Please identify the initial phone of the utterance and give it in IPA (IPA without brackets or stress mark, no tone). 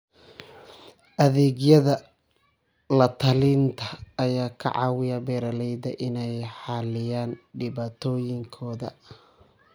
ʔ